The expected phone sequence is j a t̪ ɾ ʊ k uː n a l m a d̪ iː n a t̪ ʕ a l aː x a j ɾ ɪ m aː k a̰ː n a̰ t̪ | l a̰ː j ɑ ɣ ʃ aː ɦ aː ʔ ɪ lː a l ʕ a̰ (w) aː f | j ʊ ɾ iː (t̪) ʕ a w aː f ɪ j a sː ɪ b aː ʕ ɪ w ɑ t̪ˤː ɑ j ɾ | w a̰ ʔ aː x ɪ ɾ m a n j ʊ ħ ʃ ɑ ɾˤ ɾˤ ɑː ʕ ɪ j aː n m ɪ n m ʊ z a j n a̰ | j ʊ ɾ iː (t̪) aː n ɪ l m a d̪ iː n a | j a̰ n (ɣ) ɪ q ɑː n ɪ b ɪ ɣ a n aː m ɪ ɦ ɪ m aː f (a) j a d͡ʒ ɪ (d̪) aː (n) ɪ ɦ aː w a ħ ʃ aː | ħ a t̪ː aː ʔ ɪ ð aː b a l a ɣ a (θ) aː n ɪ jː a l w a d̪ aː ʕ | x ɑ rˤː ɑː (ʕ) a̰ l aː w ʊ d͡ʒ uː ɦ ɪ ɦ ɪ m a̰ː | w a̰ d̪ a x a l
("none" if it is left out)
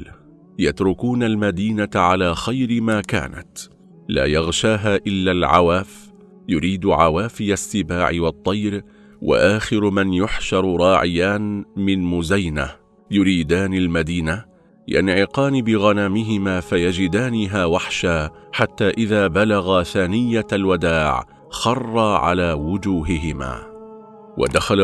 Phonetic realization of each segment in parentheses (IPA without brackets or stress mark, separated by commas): w, d̪, d̪, ʕ, a, d̪, n, θ, ʕ